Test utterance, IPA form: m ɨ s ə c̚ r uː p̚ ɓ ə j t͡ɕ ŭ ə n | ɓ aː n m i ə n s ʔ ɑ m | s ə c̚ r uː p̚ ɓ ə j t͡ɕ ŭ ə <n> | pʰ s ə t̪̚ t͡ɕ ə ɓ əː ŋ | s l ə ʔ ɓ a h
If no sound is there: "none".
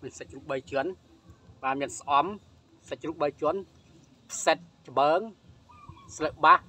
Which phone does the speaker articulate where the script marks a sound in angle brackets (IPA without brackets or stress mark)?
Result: n